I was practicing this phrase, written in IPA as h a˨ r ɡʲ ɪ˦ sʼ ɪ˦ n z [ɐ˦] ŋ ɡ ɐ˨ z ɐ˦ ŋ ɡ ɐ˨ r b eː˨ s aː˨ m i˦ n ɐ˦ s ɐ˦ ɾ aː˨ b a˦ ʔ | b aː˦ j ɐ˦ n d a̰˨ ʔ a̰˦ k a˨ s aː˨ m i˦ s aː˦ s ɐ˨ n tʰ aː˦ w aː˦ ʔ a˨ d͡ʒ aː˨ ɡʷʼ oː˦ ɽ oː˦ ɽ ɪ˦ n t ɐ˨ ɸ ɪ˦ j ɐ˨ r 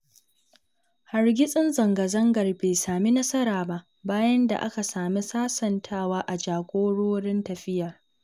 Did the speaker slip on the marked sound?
yes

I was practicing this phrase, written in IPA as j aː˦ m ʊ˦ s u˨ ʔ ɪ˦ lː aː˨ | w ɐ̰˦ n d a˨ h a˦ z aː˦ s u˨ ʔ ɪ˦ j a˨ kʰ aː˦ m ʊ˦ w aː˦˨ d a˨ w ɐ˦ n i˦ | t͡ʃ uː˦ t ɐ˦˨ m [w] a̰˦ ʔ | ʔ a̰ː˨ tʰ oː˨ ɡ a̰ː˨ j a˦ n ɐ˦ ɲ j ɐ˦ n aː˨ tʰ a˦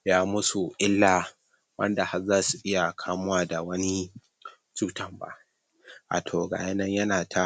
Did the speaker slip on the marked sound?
yes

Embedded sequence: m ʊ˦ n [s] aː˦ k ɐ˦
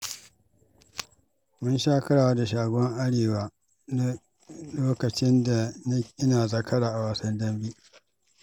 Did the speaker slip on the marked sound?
yes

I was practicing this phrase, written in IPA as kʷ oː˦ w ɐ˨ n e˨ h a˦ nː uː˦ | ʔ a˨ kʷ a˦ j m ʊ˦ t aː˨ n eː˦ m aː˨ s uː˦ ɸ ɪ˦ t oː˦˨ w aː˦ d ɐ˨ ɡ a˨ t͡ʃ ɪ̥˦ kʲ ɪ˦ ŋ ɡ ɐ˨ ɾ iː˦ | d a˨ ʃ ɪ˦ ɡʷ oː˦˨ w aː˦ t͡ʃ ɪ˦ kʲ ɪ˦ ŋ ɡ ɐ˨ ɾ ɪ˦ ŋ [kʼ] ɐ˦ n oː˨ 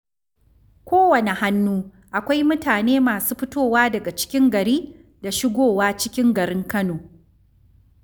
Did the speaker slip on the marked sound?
yes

